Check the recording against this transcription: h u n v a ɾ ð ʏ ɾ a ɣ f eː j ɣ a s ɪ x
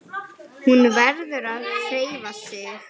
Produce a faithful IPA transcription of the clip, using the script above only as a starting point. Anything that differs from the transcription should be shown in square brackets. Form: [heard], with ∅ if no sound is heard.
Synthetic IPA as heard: h u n v [ɛ] ɾ ð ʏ ɾ a [ð] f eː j [v] a s ɪ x